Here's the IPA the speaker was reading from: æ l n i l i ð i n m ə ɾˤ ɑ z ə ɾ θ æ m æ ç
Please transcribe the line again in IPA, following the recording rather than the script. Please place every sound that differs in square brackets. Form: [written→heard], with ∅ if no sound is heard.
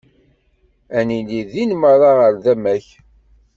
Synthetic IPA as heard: æ [l→∅] n i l i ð i n m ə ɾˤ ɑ [z→ʁ] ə ɾ [θ→ð] æ m æ ç